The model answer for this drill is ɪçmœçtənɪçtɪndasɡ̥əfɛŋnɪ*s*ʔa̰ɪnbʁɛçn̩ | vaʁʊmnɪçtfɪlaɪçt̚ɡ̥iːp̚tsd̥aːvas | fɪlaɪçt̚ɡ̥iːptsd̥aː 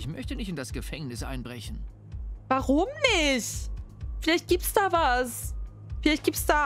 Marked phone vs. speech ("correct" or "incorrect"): correct